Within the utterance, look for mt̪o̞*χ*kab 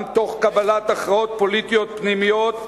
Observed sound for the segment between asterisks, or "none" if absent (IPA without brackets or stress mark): χ